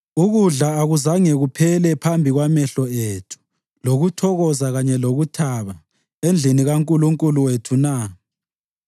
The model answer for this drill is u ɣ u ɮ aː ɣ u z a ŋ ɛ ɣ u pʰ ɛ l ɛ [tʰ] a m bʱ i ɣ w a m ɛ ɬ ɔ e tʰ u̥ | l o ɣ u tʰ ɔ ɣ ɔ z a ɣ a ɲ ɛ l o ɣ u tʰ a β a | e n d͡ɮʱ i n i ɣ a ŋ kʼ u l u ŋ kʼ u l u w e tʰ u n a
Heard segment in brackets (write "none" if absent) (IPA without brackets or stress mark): pʰ